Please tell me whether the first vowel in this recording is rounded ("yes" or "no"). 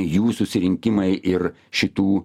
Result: yes